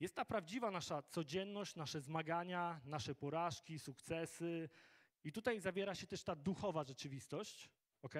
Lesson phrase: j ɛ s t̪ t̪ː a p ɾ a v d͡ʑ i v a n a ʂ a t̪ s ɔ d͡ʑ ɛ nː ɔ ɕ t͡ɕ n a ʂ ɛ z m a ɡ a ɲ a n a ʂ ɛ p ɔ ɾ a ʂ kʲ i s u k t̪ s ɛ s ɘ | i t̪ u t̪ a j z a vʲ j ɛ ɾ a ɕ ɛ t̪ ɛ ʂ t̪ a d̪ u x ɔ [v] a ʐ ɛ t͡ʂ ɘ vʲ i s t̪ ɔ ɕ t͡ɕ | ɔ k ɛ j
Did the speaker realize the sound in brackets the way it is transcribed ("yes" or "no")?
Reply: yes